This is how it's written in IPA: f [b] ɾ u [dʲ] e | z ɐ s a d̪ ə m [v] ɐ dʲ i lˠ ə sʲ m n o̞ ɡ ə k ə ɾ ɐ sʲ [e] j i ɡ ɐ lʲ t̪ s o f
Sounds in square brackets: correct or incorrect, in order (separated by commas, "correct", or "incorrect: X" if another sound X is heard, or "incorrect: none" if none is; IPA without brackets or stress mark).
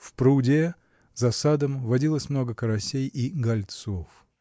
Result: incorrect: p, correct, correct, correct